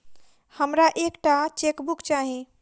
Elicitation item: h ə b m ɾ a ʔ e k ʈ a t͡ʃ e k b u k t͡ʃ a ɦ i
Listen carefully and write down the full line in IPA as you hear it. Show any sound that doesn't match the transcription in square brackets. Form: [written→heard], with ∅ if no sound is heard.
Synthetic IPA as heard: h ə [b→∅] m ɾ a ʔ e k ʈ a t͡ʃ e k b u k t͡ʃ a ɦ i